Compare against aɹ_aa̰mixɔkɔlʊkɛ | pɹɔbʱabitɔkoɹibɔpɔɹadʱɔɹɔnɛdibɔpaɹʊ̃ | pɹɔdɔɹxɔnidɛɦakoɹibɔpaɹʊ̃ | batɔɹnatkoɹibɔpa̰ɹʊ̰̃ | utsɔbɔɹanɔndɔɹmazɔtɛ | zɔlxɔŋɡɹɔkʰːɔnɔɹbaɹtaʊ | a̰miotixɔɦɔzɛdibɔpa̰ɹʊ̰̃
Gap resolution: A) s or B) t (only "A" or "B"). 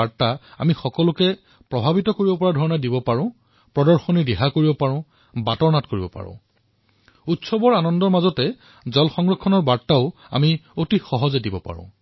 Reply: B